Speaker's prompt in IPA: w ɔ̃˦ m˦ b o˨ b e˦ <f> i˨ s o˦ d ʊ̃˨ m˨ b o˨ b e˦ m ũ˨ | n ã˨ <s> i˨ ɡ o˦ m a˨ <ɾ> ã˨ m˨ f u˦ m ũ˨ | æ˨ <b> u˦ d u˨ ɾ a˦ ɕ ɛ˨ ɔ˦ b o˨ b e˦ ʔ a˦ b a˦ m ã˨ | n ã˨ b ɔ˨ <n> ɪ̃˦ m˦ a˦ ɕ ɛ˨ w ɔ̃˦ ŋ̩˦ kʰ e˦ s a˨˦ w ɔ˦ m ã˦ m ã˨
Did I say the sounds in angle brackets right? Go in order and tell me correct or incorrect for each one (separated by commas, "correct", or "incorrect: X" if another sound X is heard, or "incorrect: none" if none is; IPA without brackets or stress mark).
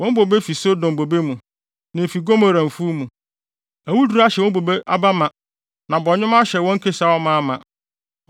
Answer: correct, incorrect: f, correct, incorrect: w, incorrect: ɲ